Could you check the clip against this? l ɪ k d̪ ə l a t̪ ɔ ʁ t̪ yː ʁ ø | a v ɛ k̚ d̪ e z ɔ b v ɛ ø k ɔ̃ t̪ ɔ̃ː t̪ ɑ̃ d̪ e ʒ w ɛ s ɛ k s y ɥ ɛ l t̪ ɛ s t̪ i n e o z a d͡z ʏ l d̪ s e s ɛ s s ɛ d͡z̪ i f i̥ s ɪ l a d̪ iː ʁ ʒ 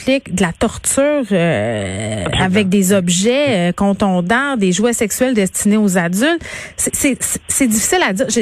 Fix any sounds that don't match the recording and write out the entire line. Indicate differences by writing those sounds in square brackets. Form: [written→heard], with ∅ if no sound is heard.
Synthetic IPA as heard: l ɪ k d̪ ə l a t̪ ɔ ʁ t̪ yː ʁ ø | a v ɛ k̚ d̪ e z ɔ b [v→ʒ] ɛ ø k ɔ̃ t̪ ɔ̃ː [t̪→d̪] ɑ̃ d̪ e ʒ w ɛ s ɛ k s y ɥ ɛ l [t̪→d̪] ɛ s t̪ i n e o z a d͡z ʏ l [d̪→t̪] s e s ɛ s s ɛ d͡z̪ i f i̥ s ɪ l a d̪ iː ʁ ʒ